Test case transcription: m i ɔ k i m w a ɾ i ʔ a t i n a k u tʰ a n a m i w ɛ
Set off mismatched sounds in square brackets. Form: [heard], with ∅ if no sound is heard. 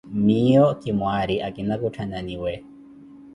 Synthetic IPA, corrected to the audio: m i ɔ k i m w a ɾ i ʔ a [k] i n a k u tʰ a n a [n] i w ɛ